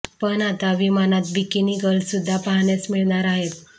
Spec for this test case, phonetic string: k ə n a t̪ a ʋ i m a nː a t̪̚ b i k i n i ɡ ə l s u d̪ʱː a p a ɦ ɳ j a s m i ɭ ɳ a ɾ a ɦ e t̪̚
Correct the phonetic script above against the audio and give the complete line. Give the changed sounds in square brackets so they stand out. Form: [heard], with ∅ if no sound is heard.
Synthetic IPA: [p] ə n a t̪ a ʋ i m a [n] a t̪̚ b i k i n i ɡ ə l s u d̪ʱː a p a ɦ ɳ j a s m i ɭ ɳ a ɾ a ɦ e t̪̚